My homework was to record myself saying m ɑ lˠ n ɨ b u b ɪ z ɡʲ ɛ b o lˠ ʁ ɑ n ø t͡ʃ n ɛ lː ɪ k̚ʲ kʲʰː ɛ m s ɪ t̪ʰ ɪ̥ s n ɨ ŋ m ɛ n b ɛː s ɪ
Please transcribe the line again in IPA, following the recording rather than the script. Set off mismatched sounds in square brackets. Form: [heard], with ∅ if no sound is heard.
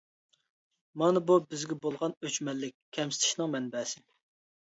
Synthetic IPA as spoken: m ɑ [∅] n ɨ b u b ɪ z ɡʲ ɛ b o lˠ ʁ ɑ n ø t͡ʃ [m] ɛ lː ɪ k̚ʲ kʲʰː ɛ m s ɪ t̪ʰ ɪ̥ [ʃ] n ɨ ŋ m ɛ n b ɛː s ɪ